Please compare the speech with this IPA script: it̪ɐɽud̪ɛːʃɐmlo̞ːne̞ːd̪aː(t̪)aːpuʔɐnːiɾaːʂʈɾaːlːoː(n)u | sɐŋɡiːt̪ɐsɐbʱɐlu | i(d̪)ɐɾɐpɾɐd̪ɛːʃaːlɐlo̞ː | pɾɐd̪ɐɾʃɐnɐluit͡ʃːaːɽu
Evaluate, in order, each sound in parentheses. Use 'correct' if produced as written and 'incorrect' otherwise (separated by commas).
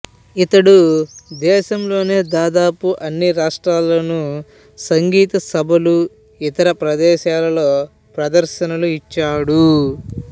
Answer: incorrect, correct, incorrect